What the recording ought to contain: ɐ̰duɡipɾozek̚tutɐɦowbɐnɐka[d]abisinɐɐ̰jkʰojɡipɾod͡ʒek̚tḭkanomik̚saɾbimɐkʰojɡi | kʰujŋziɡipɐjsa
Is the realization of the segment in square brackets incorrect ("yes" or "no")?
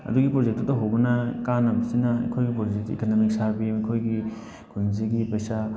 yes